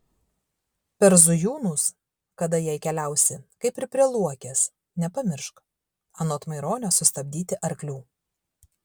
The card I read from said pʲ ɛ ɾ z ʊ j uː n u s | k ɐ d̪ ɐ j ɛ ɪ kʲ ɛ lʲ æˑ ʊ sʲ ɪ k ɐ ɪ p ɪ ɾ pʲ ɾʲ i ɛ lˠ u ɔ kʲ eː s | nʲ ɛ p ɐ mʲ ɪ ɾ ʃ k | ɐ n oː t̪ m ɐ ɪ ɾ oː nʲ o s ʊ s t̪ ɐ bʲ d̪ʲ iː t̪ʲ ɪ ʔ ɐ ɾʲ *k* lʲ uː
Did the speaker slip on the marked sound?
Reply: no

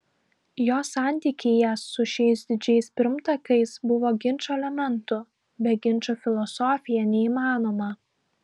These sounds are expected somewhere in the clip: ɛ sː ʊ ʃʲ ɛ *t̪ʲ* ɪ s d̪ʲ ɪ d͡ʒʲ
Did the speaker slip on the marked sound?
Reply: yes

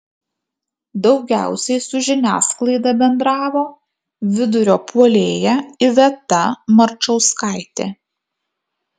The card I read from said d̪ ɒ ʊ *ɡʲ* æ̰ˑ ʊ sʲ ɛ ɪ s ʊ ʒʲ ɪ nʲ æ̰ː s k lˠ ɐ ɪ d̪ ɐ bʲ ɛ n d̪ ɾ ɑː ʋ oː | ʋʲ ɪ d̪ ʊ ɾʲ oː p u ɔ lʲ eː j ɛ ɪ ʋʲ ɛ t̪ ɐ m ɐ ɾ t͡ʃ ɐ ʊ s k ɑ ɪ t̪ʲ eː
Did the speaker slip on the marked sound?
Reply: no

